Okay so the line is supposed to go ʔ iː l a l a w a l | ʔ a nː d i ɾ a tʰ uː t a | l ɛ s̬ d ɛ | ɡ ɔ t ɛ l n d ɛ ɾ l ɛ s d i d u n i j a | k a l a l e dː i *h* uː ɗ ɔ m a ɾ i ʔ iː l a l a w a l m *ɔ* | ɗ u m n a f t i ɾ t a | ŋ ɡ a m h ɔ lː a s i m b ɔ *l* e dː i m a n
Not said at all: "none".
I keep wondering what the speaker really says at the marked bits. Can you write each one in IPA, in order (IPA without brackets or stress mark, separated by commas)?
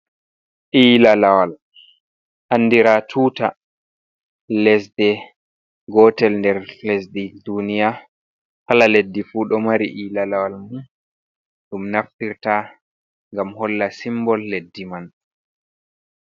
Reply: f, u, lː